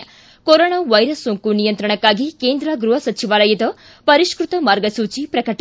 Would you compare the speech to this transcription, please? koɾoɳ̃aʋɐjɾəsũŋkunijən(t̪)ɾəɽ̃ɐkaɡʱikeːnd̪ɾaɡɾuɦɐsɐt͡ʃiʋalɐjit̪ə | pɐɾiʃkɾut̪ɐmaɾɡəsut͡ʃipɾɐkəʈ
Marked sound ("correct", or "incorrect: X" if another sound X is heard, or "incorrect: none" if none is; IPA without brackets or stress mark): correct